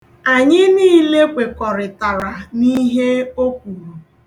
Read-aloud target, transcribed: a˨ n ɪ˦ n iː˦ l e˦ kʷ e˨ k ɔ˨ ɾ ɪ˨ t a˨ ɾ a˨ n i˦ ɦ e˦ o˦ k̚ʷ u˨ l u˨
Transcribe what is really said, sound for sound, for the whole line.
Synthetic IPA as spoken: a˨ ɲ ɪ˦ n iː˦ l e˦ kʷ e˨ k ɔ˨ ɾ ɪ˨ t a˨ ɾ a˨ n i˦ ɦ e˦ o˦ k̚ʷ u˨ ɾ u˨

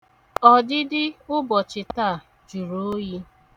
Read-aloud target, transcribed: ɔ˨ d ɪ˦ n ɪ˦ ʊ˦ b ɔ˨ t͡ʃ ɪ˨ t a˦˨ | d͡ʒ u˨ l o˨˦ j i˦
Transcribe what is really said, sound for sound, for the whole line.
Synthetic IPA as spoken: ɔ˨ d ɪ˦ d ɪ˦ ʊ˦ b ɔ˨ t͡ʃ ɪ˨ t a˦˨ | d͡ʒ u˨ ɾ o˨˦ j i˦

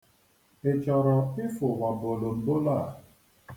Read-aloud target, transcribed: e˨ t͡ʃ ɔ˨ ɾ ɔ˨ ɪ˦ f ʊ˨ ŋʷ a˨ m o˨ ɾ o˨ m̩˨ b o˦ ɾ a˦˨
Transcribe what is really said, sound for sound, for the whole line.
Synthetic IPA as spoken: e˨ t͡ʃ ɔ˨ ɾ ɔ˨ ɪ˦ f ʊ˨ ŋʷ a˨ b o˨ l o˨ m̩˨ b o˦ l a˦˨

